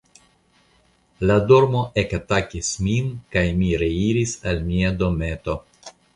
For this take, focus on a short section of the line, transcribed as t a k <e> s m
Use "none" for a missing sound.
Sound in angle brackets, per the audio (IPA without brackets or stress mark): i